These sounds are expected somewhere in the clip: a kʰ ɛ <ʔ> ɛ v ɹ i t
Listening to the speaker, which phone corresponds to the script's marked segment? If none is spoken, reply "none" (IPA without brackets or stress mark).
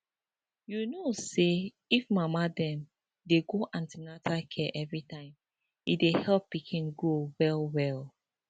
ʔ